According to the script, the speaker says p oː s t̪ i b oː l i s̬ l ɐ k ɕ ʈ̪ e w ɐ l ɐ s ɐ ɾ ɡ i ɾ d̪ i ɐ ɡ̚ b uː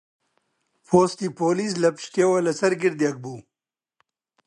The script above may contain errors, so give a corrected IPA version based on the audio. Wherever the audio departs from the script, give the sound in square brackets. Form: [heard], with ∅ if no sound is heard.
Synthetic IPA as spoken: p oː s t̪ i [p] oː l i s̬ l ɐ [p] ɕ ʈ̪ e w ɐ l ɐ s ɐ ɾ ɡ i ɾ d̪ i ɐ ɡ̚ b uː